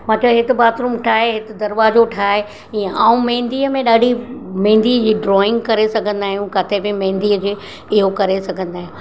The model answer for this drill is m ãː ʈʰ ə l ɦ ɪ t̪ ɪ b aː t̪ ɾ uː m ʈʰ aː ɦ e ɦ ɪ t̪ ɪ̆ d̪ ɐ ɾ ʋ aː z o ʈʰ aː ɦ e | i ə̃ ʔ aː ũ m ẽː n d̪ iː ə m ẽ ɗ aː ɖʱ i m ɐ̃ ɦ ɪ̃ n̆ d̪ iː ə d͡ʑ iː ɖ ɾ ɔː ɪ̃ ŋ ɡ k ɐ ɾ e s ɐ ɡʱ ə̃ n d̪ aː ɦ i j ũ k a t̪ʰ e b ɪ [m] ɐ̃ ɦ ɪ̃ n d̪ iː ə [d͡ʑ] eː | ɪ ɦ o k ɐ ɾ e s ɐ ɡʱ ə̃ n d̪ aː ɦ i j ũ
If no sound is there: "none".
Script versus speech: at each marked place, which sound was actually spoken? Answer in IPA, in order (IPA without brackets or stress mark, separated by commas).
m, d͡ʑ